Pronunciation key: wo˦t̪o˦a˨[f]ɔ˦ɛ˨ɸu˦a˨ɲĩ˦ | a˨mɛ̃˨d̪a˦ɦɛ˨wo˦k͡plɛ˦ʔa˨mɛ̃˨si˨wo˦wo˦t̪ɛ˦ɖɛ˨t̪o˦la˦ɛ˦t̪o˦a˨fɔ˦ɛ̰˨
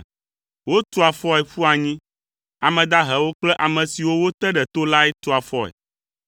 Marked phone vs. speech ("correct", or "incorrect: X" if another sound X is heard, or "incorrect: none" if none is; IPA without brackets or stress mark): correct